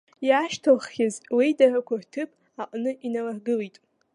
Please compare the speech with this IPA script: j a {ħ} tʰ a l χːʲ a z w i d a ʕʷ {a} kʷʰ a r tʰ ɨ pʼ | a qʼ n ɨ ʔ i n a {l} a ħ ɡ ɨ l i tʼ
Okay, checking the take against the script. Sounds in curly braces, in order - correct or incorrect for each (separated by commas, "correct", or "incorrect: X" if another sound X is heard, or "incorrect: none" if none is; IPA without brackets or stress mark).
incorrect: ʃ, correct, correct